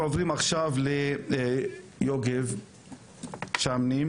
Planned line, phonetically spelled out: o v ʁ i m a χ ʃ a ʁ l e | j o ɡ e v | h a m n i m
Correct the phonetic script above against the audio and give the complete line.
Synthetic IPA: o v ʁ i m a χ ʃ a v l e | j o ɡ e v | ʃ a m n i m